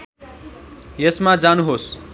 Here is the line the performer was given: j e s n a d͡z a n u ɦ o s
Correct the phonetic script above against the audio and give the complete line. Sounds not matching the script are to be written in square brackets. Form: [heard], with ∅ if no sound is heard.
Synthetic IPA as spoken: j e s [m] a d͡z a n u ɦ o s